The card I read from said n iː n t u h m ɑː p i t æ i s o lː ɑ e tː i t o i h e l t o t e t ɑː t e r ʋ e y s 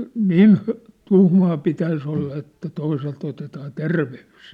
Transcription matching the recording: n iː n t u h m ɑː p i t æ i s o lː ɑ e tː æ t o i s e l t o t e t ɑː t e r ʋ e y s